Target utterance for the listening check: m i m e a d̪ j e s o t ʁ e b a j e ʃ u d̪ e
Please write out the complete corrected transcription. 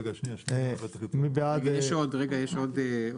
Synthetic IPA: m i b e a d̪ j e ʃ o d ʁ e ɡ a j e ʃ o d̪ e